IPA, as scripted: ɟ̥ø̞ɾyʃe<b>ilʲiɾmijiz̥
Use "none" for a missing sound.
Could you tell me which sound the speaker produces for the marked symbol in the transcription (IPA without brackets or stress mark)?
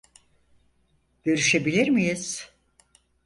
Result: b